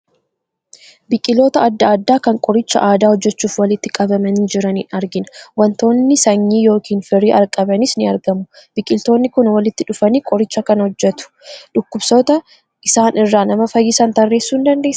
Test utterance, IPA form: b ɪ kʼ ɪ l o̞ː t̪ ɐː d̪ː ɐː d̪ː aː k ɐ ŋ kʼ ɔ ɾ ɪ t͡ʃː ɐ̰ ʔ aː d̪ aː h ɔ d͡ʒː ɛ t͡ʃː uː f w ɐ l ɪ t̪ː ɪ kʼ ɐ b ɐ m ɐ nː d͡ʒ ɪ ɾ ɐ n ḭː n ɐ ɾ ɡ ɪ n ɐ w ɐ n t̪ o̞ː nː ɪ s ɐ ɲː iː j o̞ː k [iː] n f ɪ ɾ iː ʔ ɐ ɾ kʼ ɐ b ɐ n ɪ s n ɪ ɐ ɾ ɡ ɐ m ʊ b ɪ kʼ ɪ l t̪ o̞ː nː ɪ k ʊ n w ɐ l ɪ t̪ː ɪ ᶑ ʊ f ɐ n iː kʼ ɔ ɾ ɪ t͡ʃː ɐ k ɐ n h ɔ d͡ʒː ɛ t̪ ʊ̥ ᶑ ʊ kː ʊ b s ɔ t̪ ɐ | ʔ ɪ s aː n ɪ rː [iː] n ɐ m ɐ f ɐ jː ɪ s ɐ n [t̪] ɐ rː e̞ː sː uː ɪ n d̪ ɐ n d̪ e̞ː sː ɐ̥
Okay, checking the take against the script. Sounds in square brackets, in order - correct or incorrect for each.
correct, incorrect: aː, correct

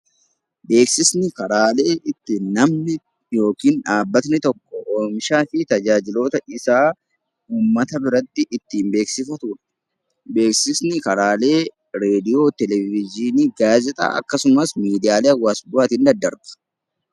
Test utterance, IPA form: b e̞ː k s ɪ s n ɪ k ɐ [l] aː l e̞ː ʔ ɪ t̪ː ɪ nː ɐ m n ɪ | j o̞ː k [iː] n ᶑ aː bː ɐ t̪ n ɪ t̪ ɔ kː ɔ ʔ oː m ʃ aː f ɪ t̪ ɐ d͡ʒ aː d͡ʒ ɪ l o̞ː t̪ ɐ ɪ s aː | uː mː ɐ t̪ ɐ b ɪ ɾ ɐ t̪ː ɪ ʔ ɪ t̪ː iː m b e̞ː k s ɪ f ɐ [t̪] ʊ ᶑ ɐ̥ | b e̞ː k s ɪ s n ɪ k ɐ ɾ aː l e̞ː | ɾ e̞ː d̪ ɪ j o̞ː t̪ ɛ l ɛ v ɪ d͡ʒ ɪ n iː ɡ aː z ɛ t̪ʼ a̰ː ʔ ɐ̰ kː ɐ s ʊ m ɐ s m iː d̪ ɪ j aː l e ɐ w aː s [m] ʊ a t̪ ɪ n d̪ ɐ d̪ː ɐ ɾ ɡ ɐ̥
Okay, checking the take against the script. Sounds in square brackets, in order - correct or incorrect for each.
incorrect: ɾ, correct, correct, incorrect: b

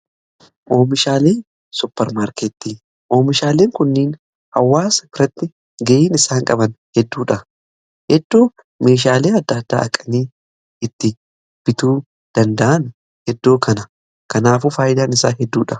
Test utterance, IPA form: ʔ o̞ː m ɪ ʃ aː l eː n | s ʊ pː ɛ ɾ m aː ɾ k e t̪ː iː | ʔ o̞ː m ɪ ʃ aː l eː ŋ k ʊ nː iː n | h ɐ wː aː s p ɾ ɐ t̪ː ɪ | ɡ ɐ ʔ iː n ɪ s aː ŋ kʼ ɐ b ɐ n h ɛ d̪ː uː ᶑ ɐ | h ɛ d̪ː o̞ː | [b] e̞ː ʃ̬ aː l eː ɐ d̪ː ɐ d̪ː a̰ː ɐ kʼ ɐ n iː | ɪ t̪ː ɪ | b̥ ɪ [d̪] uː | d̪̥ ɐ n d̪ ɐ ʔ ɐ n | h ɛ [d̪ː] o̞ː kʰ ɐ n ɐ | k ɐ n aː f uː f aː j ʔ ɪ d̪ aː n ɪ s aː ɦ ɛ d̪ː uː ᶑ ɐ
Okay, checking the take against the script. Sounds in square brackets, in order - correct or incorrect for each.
incorrect: m, incorrect: t̪, correct

